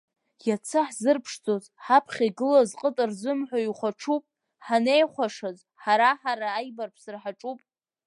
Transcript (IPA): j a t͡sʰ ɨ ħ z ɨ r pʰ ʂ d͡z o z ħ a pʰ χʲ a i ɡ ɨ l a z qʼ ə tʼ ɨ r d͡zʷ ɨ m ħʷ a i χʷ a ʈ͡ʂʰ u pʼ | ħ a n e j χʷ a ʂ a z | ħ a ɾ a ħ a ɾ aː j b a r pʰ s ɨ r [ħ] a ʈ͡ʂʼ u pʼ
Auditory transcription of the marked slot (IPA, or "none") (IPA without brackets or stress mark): ħ